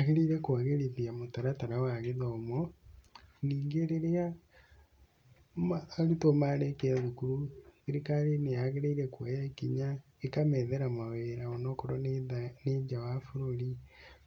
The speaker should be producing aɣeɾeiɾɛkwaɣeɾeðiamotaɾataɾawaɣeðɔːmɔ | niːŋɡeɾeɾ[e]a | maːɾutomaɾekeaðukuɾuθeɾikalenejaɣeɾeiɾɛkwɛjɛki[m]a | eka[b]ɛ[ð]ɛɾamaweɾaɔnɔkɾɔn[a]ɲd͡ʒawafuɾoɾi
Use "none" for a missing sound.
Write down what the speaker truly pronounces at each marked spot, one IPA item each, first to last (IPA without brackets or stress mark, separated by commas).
e, ɲ, m, ð, e